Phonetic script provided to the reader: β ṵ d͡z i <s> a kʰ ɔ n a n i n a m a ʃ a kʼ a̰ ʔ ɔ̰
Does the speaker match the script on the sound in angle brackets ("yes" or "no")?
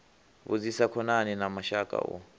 yes